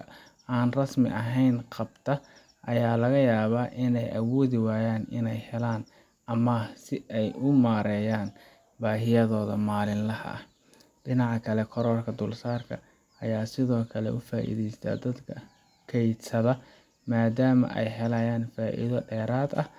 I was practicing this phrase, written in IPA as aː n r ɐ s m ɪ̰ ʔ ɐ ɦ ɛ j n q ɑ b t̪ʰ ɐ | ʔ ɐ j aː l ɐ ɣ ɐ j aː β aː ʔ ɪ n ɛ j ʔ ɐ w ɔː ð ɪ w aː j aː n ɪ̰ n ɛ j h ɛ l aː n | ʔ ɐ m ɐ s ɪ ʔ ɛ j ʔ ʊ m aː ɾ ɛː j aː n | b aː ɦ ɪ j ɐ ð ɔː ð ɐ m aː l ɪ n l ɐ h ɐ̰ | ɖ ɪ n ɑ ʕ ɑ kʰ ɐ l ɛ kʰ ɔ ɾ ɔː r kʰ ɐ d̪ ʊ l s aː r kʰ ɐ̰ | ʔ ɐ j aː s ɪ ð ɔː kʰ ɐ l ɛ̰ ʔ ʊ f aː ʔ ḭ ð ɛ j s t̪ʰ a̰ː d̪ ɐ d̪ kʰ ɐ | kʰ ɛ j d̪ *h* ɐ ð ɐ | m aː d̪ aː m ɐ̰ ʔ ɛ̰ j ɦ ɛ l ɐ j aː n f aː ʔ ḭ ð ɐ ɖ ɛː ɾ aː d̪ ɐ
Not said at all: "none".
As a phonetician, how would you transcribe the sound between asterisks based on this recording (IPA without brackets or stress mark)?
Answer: s